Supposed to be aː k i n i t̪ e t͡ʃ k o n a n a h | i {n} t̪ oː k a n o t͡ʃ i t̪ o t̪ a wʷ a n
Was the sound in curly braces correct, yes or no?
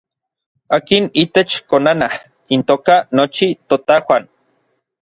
yes